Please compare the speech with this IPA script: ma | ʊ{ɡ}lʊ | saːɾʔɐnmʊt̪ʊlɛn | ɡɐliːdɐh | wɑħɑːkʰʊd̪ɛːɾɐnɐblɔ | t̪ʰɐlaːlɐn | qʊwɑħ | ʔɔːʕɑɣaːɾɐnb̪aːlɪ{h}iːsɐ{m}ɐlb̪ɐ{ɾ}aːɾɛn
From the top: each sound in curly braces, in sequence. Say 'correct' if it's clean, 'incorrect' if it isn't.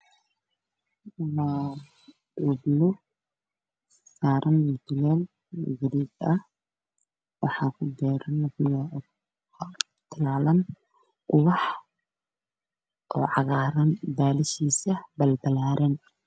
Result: incorrect: b, incorrect: ʃ, incorrect: b, incorrect: l

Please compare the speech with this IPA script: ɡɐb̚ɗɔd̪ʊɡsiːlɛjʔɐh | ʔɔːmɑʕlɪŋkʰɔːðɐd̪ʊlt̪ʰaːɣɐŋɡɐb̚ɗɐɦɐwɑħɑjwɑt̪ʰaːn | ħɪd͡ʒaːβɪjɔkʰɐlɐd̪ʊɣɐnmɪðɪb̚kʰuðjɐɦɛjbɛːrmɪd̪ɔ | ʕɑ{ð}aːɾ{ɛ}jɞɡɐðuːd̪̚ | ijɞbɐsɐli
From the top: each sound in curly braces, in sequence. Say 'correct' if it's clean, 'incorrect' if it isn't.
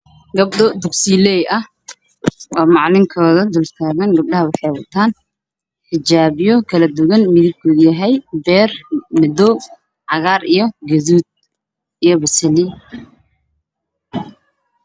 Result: incorrect: ɣ, incorrect: i

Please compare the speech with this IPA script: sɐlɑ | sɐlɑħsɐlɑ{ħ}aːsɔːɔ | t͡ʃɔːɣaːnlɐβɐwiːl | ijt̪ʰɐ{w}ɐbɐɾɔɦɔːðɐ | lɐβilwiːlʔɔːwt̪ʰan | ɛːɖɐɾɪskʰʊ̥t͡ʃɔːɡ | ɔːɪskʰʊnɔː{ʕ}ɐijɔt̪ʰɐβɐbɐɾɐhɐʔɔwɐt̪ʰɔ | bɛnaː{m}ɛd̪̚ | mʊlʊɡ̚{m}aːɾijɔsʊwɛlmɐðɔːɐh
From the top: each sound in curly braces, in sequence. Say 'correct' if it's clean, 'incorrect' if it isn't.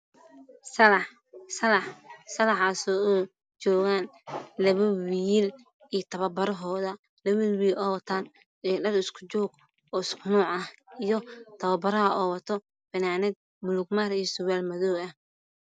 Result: correct, incorrect: β, correct, incorrect: n, correct

